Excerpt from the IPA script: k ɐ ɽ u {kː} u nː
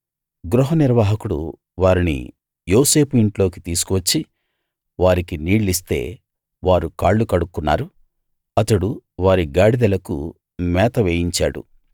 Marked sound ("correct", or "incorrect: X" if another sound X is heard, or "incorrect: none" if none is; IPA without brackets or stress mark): correct